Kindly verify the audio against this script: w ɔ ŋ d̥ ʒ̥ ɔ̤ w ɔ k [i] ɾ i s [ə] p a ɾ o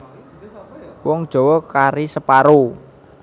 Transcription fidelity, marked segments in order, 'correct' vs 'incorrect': incorrect, correct

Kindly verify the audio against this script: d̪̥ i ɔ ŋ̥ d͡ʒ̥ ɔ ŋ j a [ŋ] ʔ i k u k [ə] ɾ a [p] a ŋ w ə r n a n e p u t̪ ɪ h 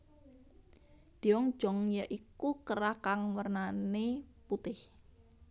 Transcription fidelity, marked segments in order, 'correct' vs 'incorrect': incorrect, correct, incorrect

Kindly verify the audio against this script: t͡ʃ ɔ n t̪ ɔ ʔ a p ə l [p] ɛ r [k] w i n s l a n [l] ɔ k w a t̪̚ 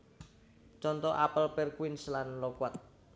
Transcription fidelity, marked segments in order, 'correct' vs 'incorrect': correct, correct, correct

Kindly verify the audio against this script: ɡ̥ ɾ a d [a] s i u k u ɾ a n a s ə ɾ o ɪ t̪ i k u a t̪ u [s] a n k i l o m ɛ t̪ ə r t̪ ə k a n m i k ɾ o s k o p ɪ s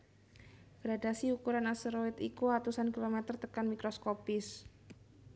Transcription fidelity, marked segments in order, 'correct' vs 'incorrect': correct, correct

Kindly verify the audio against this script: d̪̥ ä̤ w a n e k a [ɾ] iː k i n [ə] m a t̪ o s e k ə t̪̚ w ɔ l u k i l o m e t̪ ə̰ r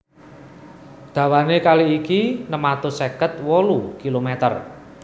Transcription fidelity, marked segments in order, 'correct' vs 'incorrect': incorrect, correct

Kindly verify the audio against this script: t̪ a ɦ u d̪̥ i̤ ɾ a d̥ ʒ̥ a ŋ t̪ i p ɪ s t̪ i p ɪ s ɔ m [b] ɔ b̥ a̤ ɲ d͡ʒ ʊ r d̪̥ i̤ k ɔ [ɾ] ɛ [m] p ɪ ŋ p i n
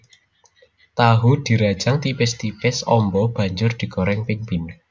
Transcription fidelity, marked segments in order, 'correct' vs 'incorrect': correct, correct, incorrect

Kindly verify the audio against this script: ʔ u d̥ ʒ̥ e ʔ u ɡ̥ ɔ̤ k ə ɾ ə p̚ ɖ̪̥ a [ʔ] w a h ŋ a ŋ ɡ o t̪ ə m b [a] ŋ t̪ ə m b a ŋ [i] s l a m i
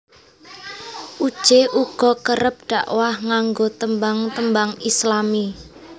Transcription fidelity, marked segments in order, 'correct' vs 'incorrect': correct, correct, correct

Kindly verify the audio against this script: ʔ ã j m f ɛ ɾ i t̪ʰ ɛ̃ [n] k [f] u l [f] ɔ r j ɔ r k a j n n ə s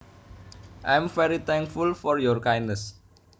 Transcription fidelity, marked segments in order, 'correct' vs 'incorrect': incorrect, correct, correct

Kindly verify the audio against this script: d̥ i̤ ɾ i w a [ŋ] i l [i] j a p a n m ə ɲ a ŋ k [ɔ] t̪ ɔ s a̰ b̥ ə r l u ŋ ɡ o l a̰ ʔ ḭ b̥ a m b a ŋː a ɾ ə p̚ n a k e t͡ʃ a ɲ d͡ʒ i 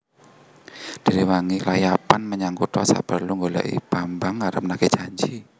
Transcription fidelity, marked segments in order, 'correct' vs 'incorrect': correct, incorrect, incorrect

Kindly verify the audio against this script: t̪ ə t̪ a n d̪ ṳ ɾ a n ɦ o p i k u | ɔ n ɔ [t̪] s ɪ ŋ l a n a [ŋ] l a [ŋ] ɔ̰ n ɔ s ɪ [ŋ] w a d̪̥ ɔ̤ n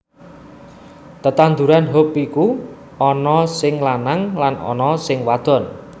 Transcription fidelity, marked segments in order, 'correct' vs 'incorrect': incorrect, correct, incorrect, correct

